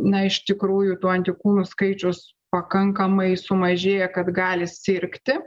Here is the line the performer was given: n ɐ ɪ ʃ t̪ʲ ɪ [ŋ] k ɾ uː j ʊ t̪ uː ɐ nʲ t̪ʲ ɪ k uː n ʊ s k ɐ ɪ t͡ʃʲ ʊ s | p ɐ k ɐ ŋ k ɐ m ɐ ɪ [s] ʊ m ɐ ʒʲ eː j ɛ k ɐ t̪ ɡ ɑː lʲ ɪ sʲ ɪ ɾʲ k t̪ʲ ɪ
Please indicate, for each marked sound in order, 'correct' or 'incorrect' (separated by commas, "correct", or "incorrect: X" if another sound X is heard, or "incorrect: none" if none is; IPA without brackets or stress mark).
incorrect: none, correct